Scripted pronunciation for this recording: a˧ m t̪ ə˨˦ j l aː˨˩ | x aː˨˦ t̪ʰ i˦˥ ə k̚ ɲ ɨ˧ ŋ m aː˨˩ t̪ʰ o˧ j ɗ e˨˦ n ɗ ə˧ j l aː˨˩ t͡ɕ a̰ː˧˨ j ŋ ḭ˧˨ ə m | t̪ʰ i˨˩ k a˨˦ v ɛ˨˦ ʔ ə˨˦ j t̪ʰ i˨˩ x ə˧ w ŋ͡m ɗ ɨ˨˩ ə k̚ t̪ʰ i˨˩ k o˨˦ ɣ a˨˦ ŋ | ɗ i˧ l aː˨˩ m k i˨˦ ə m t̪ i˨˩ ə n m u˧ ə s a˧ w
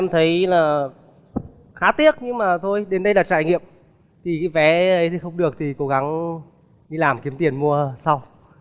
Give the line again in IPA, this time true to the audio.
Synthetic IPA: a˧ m t̪ʰ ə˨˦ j l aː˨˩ | x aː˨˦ t̪ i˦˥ ə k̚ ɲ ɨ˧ ŋ m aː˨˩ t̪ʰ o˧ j ɗ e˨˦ n ɗ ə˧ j l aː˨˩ t͡ɕ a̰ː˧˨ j ŋ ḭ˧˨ ə m | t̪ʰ i˨˩ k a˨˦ v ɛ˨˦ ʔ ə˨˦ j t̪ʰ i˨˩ x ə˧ w ŋ͡m ɗ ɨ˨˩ ə k̚ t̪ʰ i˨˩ k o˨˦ ɣ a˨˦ ŋ | ɗ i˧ l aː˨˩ m k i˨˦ ə m t̪ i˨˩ ə n m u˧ ə s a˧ w